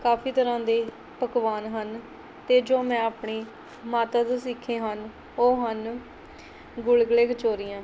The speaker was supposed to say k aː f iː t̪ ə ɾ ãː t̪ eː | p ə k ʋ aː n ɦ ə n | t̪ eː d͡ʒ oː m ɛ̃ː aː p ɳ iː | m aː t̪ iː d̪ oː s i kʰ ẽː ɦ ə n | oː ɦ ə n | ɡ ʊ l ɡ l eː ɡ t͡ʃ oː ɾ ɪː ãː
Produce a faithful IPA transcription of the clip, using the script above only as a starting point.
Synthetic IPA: k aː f iː t̪ ə ɾ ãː d̪ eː | p ə k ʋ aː n ɦ ə n | t̪ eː d͡ʒ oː m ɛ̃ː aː p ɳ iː | m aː t̪ aː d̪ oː s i kʰ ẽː ɦ ə n | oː ɦ ə n | ɡ ʊ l ɡ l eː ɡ t͡ʃ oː ɾ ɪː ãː